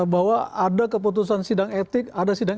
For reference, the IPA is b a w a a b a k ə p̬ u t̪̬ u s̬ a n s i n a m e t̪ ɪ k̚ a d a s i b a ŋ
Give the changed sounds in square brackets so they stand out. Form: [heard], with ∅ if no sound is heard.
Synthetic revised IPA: b a w a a [d] a k ə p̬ u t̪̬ u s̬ a n s i [d] a [ŋ] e t̪ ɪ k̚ a d a s i [d] a ŋ